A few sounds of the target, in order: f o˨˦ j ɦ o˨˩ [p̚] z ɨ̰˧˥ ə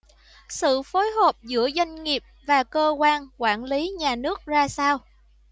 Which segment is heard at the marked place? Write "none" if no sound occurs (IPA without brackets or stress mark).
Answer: p̚